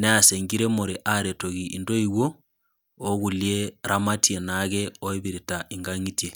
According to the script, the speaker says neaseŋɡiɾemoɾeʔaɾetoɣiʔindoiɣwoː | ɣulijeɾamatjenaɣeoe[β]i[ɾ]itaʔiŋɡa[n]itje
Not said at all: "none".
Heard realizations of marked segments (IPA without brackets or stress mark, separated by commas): β, ɾ, ŋ